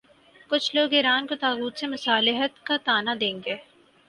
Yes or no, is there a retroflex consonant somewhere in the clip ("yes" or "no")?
no